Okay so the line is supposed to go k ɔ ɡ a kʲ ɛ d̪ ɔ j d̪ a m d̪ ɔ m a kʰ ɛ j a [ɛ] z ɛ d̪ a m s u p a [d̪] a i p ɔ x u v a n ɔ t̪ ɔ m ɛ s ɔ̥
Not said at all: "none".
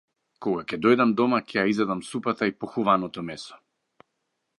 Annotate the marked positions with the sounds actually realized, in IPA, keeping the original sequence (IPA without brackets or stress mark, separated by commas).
i, t̪